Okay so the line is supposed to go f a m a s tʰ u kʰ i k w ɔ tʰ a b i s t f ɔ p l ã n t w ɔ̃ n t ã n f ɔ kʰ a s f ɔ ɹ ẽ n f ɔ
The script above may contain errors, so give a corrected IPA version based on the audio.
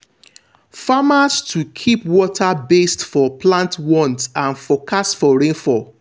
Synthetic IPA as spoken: f a m a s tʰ u kʰ i p w ɔ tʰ a b e s t f ɔ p l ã n t w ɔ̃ n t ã n f ɔ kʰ a s f ɔ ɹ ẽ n f ɔ